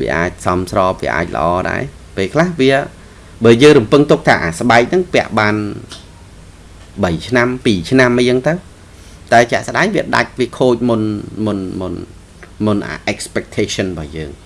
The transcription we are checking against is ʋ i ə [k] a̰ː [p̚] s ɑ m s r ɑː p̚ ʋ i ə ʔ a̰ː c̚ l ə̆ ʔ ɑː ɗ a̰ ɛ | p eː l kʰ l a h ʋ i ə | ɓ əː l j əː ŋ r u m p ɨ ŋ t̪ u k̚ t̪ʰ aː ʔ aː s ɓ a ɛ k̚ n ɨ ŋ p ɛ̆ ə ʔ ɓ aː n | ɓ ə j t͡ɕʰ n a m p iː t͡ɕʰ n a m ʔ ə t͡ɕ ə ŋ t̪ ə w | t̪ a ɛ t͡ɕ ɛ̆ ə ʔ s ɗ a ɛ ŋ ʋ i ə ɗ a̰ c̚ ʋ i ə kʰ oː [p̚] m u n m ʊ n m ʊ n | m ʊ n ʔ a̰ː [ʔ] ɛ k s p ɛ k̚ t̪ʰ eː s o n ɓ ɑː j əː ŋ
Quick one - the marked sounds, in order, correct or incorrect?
incorrect, incorrect, incorrect, correct

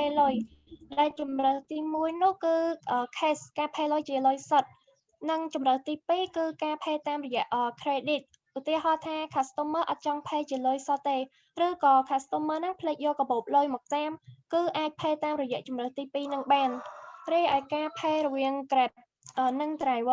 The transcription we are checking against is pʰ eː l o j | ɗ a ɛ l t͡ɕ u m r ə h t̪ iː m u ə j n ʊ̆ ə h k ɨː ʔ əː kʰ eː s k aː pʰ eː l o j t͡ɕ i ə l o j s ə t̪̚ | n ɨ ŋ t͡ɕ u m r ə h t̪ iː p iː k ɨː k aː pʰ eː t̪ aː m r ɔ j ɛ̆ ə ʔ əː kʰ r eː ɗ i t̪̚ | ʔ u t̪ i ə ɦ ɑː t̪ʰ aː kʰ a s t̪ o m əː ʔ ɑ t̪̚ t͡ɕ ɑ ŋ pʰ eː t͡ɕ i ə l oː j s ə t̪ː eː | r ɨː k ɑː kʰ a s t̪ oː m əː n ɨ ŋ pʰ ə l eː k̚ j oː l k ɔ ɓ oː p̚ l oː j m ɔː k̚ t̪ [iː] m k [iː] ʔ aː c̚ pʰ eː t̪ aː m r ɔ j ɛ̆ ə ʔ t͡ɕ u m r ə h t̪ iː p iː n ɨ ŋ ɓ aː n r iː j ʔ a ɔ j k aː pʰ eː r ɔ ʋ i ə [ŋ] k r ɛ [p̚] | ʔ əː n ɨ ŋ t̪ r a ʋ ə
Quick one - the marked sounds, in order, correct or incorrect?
incorrect, incorrect, correct, correct

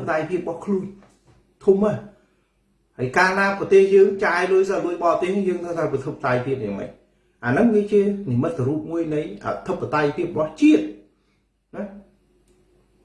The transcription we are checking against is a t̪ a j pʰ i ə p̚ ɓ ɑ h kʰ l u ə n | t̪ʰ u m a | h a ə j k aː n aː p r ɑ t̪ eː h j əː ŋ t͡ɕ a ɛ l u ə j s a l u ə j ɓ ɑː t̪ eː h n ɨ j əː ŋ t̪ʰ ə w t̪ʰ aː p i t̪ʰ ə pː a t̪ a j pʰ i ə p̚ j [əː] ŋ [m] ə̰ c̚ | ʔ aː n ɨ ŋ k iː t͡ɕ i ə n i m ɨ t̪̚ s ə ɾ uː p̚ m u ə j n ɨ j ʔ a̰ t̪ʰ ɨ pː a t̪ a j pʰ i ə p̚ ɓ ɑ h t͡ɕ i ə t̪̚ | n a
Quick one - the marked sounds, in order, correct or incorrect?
incorrect, correct

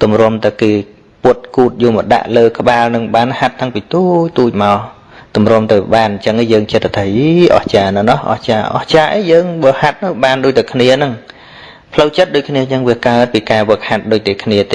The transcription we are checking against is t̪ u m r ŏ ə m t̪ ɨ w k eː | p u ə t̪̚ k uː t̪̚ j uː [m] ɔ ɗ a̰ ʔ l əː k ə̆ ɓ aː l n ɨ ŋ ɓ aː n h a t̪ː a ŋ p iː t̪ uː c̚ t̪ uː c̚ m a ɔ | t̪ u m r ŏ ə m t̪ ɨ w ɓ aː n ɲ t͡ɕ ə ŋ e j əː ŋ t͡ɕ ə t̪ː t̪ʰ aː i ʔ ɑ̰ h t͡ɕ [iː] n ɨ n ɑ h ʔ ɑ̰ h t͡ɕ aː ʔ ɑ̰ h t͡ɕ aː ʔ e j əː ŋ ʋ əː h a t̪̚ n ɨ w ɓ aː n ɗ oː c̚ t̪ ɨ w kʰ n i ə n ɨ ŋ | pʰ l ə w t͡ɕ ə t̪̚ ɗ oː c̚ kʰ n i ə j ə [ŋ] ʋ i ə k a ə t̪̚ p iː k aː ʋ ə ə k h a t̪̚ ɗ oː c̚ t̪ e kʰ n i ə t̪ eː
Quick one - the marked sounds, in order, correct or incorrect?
correct, incorrect, correct

